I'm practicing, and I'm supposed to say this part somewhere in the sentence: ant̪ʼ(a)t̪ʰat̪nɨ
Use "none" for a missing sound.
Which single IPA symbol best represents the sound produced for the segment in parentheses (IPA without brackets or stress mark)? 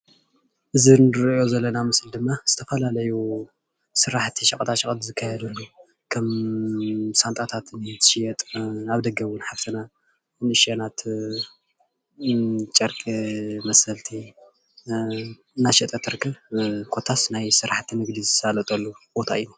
a